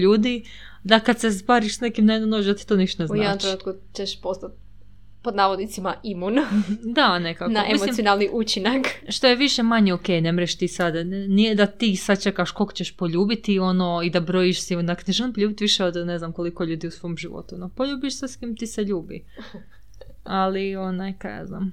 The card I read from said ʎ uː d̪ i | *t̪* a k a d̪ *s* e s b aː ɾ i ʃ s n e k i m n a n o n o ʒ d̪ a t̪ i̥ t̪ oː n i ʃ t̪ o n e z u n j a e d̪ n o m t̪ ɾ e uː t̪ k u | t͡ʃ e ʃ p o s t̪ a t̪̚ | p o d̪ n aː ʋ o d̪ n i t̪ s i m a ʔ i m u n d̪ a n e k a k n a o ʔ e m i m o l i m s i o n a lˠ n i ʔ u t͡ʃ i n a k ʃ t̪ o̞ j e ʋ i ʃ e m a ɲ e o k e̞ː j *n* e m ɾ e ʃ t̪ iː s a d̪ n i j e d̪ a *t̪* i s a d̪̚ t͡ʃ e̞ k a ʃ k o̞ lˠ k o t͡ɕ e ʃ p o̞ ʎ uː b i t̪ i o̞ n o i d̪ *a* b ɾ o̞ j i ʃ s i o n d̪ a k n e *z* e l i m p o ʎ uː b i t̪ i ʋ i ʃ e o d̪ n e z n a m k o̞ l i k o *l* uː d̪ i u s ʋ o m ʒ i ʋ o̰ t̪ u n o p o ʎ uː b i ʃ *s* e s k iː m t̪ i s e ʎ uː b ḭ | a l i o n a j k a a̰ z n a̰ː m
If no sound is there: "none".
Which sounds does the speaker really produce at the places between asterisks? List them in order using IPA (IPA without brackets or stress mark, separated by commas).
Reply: d̪, s, n, t̪, a, ʒ, ʎ, s